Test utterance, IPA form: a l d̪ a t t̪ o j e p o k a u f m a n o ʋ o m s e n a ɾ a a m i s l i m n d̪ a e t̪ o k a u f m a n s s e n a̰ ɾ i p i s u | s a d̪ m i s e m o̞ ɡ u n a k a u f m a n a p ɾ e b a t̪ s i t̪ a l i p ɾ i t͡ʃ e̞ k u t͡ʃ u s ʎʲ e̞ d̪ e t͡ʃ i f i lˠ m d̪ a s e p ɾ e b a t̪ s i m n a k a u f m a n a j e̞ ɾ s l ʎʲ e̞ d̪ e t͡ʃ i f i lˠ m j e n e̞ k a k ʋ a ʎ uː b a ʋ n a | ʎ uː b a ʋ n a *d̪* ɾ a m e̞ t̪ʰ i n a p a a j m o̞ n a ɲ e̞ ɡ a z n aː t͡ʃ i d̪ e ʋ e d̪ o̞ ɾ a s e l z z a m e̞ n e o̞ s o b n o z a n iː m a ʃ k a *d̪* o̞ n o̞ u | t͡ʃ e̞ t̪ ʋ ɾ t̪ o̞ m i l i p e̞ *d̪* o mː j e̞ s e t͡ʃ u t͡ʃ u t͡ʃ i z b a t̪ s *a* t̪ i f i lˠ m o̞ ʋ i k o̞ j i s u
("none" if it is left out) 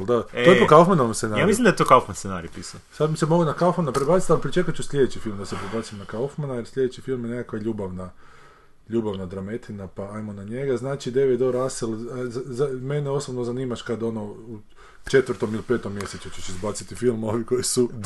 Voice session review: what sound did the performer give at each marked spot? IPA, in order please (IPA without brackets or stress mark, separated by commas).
d̪, d̪, t̪, i